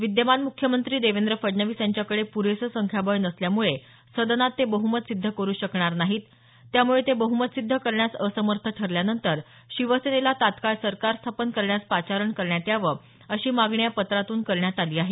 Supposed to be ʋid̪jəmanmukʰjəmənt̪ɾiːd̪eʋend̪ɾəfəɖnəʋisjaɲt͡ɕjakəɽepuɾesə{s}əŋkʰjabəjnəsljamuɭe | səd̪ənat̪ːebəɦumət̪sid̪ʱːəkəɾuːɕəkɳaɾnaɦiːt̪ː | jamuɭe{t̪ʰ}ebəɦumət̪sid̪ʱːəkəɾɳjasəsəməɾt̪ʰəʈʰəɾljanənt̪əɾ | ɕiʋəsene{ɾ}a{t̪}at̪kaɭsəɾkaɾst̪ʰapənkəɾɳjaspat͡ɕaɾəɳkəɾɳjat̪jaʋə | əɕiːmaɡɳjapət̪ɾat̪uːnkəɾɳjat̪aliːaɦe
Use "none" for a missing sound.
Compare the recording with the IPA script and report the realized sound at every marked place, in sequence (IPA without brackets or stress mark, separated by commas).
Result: s, t̪, l, t̪